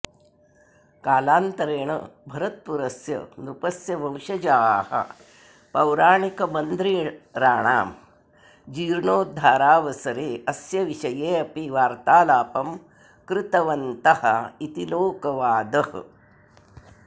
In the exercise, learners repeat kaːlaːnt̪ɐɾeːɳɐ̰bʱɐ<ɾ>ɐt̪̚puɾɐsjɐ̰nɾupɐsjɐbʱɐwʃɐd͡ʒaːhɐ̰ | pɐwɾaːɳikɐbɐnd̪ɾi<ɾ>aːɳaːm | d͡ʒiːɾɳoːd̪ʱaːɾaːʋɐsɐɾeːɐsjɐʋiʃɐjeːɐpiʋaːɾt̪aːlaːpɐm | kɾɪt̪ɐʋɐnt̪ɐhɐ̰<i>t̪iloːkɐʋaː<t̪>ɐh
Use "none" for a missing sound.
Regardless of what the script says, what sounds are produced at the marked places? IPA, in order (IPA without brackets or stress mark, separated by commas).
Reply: ɾ, ɾ, i, d̪